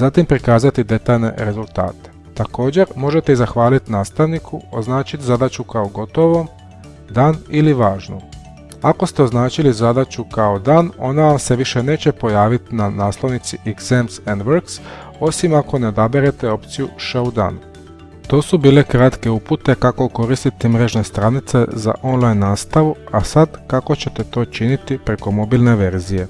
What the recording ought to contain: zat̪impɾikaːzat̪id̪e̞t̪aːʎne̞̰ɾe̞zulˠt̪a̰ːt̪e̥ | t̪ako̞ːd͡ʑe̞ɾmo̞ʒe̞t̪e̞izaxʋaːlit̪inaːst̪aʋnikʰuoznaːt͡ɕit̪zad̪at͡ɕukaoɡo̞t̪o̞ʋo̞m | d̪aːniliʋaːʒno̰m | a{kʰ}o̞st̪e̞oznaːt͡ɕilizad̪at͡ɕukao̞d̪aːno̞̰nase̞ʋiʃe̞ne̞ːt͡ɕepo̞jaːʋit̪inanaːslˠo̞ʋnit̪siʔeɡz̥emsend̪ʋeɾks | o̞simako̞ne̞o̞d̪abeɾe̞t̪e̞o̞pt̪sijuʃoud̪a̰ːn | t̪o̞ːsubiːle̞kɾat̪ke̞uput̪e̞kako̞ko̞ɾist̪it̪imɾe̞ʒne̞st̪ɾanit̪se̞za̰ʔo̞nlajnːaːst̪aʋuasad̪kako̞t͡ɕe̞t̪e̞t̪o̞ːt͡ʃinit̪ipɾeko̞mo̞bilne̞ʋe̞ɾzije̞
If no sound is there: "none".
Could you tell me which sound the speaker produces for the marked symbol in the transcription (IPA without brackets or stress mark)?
k